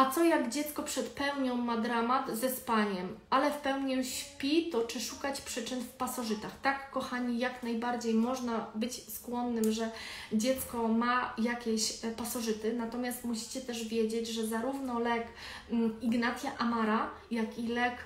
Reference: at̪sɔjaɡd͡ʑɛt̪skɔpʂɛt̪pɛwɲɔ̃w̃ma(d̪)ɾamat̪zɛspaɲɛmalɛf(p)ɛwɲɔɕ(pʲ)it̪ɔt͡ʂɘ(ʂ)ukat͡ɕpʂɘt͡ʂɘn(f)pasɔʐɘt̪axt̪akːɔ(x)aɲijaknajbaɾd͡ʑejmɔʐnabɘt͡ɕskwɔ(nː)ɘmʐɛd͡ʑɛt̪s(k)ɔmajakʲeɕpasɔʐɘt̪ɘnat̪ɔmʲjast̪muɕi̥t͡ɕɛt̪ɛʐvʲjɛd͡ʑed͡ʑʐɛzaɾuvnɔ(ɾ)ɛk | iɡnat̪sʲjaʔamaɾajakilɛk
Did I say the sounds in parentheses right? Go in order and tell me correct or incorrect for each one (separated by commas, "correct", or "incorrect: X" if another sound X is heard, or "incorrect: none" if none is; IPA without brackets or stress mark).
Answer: correct, correct, correct, correct, correct, correct, correct, correct, incorrect: l